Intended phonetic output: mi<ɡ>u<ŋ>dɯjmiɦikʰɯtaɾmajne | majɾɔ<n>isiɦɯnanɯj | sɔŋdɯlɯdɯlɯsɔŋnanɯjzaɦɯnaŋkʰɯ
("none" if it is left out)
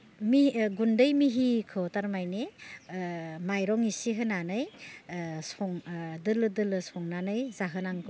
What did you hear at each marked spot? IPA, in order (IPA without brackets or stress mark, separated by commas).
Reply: ɡ, n, ŋ